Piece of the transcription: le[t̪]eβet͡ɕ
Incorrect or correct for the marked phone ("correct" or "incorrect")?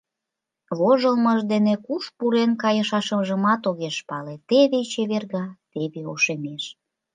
correct